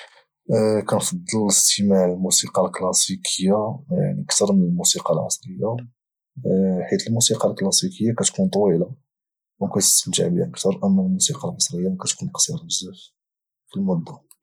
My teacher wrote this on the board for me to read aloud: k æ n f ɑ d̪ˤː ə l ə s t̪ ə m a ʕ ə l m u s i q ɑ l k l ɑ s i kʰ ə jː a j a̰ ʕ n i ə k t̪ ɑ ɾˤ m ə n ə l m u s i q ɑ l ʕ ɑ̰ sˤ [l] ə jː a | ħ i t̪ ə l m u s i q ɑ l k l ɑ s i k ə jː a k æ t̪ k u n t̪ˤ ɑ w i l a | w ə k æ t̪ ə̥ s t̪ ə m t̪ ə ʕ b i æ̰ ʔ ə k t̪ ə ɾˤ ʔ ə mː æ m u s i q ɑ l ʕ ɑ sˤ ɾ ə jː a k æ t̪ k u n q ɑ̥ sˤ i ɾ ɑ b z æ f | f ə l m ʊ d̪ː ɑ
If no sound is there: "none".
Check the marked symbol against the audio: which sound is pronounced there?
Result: ɾ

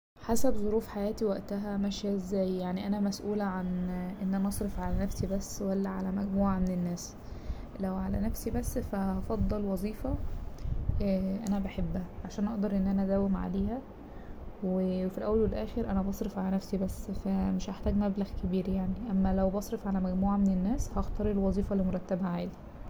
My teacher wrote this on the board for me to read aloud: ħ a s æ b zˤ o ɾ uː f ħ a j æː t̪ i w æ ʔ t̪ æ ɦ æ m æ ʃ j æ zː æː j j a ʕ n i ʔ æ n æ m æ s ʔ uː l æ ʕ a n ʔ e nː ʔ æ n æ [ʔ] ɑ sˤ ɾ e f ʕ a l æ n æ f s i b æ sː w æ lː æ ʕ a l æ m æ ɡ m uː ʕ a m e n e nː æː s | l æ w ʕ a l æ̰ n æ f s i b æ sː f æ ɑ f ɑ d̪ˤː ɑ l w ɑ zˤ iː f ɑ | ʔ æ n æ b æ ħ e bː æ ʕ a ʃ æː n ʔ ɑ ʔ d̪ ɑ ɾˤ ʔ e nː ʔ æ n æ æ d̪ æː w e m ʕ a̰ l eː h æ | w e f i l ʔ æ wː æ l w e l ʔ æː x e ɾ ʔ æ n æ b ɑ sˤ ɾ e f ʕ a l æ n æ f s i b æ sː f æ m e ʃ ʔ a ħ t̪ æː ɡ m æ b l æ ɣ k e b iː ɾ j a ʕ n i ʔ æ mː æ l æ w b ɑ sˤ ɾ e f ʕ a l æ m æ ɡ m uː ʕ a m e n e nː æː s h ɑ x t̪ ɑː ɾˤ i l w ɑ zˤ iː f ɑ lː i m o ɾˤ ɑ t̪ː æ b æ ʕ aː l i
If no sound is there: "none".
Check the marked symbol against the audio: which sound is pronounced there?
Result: ʔ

